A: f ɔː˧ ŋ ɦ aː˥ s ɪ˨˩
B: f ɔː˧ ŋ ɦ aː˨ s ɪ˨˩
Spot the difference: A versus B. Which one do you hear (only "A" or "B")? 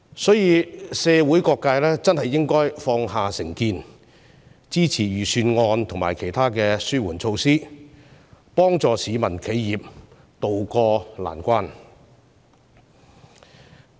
B